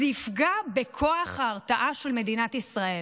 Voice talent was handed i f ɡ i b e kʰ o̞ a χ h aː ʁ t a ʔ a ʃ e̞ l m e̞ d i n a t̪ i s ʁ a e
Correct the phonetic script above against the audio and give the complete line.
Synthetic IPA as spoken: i f ɡ a b e kʰ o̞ a χ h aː ʁ t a ʔ a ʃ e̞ l m e̞ d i n a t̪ i s ʁ a e